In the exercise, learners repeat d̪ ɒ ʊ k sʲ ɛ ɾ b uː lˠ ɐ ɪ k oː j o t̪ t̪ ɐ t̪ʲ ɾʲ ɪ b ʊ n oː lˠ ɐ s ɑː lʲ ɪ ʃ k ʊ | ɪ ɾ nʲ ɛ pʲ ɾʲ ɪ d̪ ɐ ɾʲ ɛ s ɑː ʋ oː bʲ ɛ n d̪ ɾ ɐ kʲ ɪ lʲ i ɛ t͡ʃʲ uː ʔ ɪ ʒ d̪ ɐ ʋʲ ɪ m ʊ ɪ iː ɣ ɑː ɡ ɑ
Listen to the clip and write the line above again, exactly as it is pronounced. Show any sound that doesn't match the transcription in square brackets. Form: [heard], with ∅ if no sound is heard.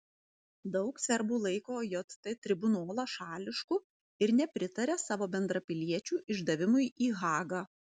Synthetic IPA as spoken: d̪ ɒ ʊ k sʲ ɛ ɾ b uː lˠ ɐ ɪ k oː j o t̪ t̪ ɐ t̪ʲ ɾʲ ɪ b ʊ n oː lˠ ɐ [ʃ] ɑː lʲ ɪ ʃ k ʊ | ɪ ɾ nʲ ɛ pʲ ɾʲ ɪ [t̪] ɐ ɾʲ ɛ s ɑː ʋ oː bʲ ɛ n d̪ ɾ ɐ [pʲ] ɪ lʲ i ɛ t͡ʃʲ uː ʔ ɪ ʒ d̪ ɐ ʋʲ ɪ m ʊ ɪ iː ɣ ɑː ɡ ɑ